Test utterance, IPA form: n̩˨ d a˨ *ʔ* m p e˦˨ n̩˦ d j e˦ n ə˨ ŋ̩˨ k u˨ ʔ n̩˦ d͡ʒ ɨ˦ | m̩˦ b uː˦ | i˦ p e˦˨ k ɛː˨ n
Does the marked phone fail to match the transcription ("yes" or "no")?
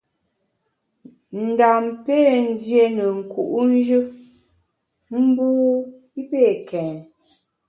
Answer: yes